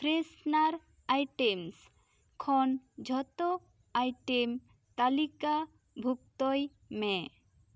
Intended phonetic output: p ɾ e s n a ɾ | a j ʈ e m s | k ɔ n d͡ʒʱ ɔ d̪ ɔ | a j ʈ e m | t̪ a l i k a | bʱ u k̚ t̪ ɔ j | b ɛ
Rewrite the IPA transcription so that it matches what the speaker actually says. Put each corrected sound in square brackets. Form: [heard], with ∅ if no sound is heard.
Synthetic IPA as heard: p ɾ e s n a ɾ | a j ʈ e m s | [kʰ] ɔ n d͡ʒʱ ɔ [t̪] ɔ | a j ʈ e m | t̪ a l i k a | bʱ u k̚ t̪ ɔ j | [m] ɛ